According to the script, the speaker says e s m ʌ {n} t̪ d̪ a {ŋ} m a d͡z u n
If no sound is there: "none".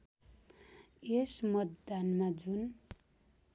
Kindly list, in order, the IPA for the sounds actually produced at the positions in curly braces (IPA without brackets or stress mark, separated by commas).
none, n